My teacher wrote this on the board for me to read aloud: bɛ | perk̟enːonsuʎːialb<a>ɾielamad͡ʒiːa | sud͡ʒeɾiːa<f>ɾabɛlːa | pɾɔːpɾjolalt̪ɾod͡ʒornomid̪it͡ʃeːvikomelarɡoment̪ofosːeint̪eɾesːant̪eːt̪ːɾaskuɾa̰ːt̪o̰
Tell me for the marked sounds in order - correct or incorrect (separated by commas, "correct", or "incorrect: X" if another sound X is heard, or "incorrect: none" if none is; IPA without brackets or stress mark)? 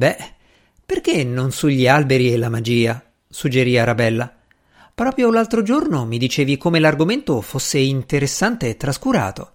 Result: incorrect: e, incorrect: none